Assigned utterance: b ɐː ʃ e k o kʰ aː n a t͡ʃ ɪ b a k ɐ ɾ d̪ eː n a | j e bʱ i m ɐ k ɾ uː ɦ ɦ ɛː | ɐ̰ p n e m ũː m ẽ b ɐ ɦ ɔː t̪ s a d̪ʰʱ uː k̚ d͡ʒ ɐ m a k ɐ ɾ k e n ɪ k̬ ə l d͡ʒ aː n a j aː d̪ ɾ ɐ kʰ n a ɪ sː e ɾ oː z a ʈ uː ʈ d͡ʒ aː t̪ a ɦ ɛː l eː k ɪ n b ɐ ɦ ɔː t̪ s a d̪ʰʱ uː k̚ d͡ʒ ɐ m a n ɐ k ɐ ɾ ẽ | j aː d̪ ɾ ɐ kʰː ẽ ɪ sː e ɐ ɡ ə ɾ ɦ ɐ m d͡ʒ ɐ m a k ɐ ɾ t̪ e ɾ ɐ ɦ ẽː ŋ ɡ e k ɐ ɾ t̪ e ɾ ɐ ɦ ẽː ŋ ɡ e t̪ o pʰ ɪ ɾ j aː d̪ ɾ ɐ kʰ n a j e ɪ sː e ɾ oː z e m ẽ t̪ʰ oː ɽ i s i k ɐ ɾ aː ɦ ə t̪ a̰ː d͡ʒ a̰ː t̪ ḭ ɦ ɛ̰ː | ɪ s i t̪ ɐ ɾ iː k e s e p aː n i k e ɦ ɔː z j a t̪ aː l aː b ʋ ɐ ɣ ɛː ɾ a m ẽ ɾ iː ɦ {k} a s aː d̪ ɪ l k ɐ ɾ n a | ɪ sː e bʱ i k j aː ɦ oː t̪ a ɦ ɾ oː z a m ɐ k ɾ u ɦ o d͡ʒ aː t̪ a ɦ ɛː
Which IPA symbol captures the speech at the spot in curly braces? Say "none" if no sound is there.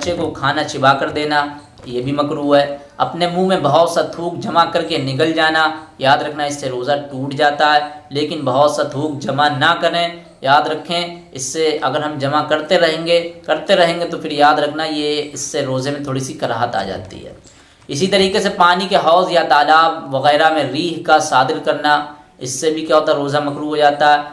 k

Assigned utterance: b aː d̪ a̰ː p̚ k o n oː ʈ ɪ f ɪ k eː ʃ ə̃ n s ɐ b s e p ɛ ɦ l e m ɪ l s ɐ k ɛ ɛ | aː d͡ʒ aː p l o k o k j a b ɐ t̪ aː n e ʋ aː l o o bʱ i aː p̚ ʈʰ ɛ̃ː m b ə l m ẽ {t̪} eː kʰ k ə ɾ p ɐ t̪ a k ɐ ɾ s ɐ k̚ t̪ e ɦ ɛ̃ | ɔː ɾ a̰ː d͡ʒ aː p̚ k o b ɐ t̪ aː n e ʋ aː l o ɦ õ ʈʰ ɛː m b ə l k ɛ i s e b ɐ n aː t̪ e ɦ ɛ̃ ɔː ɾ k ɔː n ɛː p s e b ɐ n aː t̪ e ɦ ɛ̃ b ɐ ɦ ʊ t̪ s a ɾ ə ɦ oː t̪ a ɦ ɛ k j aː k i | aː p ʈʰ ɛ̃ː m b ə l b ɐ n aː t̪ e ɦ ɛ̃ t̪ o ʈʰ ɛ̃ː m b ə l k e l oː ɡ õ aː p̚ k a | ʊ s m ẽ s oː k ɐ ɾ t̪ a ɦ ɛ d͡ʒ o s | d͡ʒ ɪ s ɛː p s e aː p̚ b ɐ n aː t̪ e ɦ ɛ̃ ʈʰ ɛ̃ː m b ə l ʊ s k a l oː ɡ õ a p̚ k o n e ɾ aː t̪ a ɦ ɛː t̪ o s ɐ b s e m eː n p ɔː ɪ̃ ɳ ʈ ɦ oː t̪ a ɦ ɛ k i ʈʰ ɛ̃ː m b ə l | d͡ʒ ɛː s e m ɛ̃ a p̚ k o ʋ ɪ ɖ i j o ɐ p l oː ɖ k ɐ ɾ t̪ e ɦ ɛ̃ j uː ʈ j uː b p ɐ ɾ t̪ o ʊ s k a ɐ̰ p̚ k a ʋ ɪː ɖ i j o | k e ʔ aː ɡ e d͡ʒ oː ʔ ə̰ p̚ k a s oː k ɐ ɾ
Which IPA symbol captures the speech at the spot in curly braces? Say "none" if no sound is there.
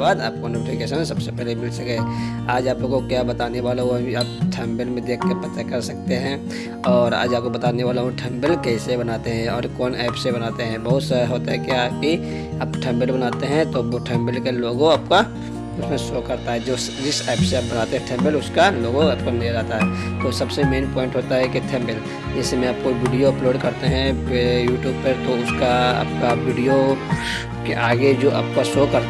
d̪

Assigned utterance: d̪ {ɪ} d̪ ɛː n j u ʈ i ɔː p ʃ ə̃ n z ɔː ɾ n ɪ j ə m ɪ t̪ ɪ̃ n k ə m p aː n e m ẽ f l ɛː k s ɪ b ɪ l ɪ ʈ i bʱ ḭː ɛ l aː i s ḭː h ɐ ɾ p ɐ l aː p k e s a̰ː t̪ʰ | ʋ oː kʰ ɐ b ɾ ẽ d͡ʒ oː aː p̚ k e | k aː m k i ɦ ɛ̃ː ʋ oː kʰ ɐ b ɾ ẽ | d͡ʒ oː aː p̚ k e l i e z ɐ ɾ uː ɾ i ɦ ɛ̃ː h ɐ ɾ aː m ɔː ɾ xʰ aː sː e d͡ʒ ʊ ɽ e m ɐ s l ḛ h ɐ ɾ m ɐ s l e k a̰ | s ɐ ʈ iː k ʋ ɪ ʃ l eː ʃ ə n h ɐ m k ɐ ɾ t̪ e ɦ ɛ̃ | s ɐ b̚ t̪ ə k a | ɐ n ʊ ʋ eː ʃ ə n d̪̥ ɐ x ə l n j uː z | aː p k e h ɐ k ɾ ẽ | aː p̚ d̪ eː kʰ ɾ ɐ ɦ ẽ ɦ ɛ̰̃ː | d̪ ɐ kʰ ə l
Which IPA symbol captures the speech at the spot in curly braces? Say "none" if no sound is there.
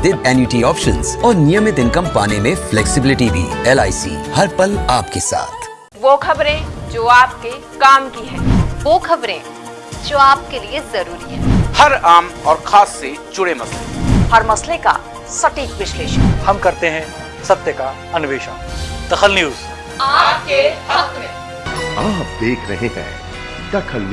ɪ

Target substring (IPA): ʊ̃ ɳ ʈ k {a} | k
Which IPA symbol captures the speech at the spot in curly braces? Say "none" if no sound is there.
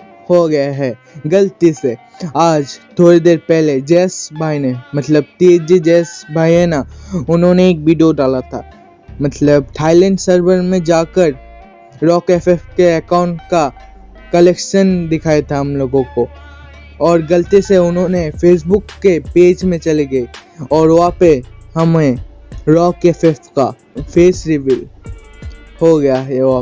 a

